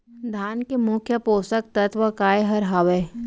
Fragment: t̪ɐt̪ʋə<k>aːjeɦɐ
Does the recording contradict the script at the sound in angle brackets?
no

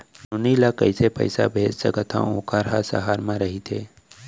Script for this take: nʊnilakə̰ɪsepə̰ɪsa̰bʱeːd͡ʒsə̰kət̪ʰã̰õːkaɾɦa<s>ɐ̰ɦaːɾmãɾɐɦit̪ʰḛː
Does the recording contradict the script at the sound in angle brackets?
no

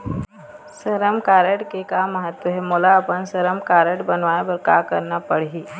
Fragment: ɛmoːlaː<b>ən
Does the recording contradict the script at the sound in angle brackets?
yes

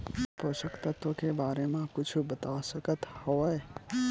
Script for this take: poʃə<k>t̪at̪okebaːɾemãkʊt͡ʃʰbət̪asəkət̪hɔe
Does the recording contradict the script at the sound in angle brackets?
no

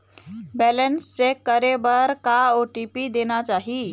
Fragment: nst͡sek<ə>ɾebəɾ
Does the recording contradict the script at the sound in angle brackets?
no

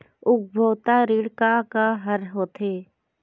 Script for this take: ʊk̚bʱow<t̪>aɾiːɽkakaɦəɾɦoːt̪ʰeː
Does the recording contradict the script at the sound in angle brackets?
no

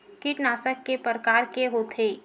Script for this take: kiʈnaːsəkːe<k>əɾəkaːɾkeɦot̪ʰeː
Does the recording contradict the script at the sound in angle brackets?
yes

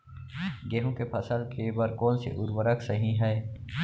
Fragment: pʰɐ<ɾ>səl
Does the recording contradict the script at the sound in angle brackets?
yes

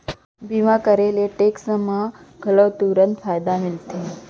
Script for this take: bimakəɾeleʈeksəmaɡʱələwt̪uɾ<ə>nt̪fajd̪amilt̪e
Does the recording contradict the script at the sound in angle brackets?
no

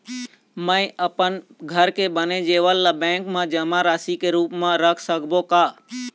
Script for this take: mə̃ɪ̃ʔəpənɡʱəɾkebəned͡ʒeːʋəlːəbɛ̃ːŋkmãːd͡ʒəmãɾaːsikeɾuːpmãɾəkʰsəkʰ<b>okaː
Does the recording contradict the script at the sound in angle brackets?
no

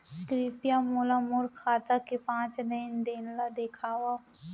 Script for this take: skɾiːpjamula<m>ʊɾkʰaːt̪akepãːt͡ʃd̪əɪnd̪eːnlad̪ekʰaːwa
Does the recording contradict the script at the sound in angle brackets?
no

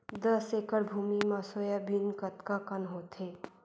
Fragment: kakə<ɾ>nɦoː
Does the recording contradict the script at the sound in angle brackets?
yes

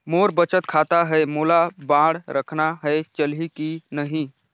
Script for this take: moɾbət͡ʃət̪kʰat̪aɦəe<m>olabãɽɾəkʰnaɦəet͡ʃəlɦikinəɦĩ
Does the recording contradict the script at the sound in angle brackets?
no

